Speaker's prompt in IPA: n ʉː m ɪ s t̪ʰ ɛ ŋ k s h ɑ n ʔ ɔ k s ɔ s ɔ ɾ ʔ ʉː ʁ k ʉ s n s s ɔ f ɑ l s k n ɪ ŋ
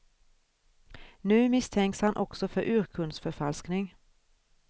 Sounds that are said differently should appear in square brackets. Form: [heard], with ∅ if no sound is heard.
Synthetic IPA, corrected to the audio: n ʉː m ɪ s t̪ʰ ɛ ŋ k s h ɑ n ʔ ɔ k s ɔ [f] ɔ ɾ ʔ ʉː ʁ [kʰ] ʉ [∅] n s [f] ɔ f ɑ l s k n ɪ ŋ